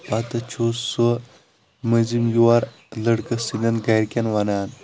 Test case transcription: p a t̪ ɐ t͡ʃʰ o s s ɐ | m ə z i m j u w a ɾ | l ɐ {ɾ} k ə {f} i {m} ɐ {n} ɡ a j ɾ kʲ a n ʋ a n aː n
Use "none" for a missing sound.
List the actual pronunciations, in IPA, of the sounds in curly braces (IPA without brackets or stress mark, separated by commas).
ɽ, s, n, n